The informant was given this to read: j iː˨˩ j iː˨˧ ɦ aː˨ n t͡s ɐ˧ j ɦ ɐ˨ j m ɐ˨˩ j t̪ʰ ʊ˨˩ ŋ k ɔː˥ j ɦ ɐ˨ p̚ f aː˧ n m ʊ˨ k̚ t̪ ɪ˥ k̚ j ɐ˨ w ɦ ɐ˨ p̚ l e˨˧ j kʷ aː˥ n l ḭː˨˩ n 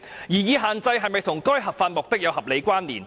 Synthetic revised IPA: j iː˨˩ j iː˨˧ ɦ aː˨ n t͡s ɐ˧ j ɦ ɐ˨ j m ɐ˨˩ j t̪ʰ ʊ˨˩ ŋ k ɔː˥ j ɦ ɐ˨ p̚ f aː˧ n m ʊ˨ k̚ t̪ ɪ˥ k̚ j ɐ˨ w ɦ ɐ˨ p̚ l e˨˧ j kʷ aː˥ n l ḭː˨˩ n